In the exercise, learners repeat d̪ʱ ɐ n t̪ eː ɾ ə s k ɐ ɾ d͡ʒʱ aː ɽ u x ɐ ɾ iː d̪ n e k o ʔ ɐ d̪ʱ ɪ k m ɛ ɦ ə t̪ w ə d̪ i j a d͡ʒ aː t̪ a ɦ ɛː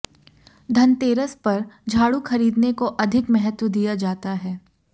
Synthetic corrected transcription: d̪ʱ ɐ n t̪ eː ɾ ə s p ɐ ɾ d͡ʒʱ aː ɽ u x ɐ ɾ iː d̪ n e k o ʔ ɐ d̪ʱ ɪ k m ɛ ɦ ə t̪ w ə d̪ i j a d͡ʒ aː t̪ a ɦ ɛː